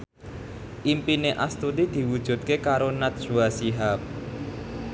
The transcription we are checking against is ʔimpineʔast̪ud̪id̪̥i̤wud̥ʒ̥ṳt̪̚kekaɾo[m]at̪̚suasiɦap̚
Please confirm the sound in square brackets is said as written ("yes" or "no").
no